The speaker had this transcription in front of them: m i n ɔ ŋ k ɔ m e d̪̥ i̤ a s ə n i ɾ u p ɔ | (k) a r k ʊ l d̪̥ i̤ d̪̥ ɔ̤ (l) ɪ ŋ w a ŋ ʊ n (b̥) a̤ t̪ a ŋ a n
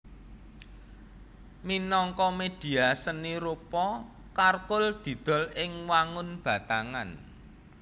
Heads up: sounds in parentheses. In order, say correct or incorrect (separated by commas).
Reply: correct, correct, correct